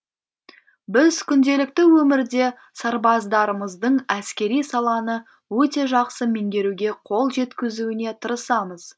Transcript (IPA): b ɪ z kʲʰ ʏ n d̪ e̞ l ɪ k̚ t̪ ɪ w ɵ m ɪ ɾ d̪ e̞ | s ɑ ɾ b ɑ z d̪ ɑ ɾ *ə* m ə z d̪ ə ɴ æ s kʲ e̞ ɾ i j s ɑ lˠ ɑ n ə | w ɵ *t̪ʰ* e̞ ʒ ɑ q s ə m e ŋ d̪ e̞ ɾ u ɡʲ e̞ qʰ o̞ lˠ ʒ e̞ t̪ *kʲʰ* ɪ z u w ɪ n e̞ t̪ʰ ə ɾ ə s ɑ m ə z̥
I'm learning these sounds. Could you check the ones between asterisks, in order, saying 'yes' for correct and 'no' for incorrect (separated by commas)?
yes, no, no